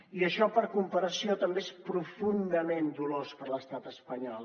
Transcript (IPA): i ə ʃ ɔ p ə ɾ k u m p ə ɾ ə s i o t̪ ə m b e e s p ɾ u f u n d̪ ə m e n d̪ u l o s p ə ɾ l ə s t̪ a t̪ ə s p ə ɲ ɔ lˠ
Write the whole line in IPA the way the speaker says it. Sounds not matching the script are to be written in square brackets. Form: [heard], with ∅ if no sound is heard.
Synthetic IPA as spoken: i ə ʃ ɔ p ə ɾ k u m p ə ɾ ə s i o t̪ ə m b e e s p ɾ u f u n d̪ ə m e n d̪ u l o s p ə ɾ l ə s t̪ a t̪ ə s p ə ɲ ɔ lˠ